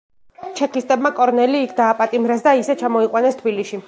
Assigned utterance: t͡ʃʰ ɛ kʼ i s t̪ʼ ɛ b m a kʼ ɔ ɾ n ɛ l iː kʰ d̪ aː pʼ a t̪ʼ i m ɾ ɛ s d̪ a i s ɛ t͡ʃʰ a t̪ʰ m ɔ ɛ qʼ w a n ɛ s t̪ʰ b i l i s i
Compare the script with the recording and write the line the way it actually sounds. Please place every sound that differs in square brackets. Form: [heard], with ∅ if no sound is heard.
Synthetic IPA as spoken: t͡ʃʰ ɛ [k] i s t̪ʼ ɛ b m a kʼ ɔ ɾ n ɛ l iː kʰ d̪ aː pʼ a t̪ʼ i m ɾ ɛ s d̪ a i s ɛ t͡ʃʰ a [∅] m ɔ [i] qʼ w a n ɛ s t̪ʰ b i l i [ʃ] i